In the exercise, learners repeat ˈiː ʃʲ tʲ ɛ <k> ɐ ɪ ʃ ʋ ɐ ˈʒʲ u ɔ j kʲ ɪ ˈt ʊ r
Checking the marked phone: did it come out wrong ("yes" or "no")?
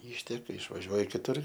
no